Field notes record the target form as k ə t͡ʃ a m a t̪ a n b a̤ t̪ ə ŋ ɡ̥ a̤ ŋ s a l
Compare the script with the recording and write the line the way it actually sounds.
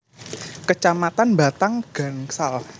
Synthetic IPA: k ə t͡ʃ a m a t̪ a n b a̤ t̪ a ŋ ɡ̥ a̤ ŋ s a l